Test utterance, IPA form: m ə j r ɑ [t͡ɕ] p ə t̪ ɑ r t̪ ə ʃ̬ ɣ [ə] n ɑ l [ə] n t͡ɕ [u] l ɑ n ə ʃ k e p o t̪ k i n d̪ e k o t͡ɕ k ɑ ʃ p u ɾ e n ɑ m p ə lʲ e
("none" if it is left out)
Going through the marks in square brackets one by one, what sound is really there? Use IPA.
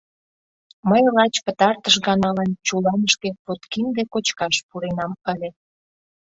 t͡ɕ, ɑ, ɑ, u

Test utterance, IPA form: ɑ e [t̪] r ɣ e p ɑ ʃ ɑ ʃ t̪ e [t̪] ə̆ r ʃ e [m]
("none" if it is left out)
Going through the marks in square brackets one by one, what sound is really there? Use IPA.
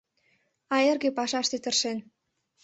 none, t̪, n

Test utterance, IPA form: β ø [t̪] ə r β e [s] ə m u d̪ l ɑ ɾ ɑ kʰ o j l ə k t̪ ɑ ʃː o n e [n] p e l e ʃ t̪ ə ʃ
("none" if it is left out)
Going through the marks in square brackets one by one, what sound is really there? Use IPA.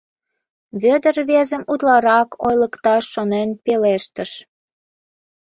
d̪, z, n

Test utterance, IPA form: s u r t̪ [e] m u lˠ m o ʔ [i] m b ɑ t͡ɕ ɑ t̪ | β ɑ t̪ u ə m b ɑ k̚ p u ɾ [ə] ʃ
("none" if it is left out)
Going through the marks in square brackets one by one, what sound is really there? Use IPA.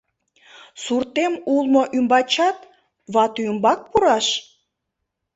e, y, ɑ

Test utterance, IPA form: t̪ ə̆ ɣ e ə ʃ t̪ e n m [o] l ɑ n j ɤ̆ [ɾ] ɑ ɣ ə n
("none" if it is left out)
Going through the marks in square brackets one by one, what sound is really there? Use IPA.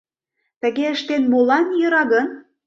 o, ɾ

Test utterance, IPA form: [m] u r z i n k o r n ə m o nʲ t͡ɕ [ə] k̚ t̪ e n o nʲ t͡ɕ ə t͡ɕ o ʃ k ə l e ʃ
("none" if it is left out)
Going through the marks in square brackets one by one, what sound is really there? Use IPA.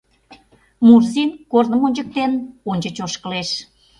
m, ə

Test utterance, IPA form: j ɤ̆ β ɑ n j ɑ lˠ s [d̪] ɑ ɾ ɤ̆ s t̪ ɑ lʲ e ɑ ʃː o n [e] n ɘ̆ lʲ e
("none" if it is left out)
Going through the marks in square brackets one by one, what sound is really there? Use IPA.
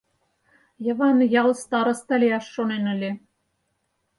t̪, e

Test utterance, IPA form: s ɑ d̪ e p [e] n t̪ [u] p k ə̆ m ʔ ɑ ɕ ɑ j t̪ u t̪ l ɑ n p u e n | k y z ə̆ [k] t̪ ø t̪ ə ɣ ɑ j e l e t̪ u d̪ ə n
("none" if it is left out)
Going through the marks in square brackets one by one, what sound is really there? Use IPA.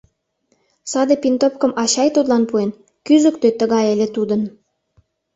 i, o, k

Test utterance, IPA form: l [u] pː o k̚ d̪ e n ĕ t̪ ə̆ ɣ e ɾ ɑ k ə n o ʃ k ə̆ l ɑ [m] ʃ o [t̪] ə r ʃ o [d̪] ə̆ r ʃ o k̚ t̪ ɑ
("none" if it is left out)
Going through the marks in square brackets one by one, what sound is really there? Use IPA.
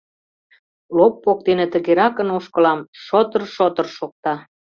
o, m, t̪, t̪

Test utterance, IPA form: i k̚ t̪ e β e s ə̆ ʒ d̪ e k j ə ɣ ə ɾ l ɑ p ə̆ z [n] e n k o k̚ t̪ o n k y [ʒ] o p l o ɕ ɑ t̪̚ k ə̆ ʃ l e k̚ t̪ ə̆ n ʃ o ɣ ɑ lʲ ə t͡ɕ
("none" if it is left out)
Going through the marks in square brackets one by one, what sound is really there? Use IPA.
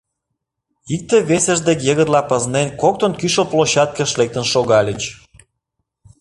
n, ʃ

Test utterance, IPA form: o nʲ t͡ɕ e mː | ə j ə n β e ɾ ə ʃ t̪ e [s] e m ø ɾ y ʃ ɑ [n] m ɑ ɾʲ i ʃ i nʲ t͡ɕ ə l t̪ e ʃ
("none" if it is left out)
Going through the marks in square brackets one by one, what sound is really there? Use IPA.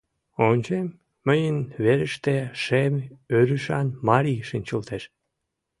ʃ, n

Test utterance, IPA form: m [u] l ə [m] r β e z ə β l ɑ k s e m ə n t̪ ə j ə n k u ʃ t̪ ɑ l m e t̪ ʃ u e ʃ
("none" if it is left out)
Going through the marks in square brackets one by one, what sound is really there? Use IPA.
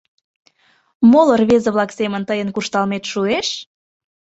o, none

